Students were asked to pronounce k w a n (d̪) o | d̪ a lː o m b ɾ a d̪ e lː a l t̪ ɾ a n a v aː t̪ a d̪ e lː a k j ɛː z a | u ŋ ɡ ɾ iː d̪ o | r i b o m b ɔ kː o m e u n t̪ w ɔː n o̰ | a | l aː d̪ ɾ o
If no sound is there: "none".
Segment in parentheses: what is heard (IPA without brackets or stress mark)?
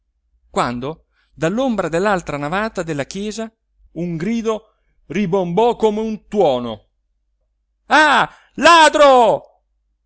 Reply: d̪